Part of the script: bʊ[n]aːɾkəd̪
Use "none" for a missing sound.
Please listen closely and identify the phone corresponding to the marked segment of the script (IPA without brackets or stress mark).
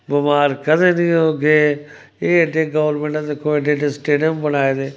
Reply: m